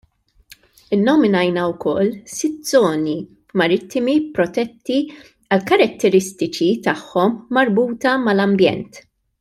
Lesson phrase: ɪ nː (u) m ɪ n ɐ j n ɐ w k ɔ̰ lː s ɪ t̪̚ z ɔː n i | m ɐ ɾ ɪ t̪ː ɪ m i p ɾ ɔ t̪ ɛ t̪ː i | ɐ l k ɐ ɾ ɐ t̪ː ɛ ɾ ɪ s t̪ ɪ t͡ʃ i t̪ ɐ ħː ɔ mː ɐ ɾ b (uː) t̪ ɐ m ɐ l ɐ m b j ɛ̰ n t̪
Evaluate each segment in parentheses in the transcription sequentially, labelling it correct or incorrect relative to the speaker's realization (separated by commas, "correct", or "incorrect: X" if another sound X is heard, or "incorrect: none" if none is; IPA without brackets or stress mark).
incorrect: ɔ, correct